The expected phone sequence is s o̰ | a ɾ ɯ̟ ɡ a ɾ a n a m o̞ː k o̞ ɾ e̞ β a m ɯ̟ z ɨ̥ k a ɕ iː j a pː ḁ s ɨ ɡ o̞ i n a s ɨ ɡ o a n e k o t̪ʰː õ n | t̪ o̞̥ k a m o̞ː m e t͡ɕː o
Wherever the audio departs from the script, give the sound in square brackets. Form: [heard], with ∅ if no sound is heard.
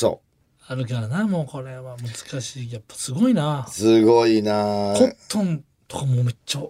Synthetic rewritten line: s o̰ | a ɾ ɯ̟ [k] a ɾ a n a m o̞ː k o̞ ɾ e̞ β a m ɯ̟ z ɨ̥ k a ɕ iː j a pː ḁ s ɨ ɡ o̞ i n a s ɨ ɡ o [i] n [a] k o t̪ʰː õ n | t̪ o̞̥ k a m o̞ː m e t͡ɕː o